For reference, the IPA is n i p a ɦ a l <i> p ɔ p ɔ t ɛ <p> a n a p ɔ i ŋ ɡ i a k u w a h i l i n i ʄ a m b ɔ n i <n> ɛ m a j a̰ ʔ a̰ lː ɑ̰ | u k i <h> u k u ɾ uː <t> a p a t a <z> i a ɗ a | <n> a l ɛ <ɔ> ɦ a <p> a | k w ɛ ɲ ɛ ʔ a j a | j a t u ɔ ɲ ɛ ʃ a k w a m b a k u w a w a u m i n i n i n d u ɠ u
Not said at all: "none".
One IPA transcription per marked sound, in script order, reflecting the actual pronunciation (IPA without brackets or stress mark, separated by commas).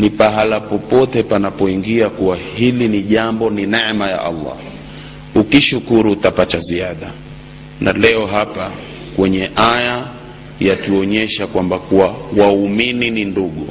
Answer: a, p, n, ʃ, t, z, n, ɔ, p